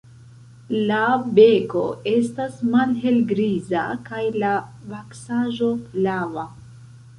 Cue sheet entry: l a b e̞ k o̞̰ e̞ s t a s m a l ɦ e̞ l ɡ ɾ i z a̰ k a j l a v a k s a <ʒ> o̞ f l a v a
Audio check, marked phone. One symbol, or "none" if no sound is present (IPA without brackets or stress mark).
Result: ʒ